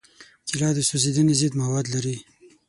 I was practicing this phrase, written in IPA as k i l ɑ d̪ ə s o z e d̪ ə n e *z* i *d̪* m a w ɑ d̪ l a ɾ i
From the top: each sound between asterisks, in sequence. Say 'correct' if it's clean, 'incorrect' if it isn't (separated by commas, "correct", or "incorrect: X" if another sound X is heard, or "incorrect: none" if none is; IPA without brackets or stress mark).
correct, correct